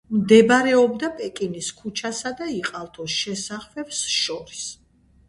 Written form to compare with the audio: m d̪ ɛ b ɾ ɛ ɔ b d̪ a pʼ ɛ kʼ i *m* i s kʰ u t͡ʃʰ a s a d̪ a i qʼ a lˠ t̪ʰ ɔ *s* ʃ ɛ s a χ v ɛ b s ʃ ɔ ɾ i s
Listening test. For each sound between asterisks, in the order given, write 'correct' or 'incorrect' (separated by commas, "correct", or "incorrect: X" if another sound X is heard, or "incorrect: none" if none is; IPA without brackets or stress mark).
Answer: incorrect: n, correct